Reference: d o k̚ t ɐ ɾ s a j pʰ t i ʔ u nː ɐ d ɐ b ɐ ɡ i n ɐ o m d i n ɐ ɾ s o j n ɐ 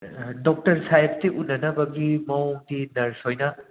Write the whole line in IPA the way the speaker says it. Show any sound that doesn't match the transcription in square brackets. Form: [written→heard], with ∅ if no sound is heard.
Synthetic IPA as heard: d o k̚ t ɐ ɾ s a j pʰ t i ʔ u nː ɐ [d→n] ɐ b ɐ ɡ i [n→m] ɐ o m d i n ɐ ɾ s o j n ɐ